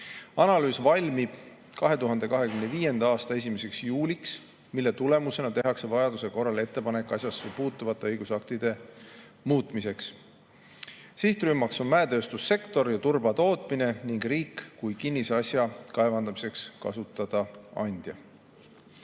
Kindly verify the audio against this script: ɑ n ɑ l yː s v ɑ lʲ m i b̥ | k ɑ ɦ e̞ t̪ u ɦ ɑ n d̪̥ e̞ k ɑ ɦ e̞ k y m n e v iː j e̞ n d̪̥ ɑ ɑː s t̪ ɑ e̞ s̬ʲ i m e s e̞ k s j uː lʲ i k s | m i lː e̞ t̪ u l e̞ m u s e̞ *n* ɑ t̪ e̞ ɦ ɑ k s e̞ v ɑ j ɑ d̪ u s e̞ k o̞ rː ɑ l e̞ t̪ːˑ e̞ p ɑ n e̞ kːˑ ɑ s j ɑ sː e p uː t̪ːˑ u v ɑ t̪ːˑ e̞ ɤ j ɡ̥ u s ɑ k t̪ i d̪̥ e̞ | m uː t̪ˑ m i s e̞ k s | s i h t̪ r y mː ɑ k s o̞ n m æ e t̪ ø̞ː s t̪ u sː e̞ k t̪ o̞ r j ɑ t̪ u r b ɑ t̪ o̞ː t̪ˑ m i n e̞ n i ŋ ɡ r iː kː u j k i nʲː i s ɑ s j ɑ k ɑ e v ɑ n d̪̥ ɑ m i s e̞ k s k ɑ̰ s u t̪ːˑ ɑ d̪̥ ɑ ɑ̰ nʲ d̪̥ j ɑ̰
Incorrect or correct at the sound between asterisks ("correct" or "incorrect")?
correct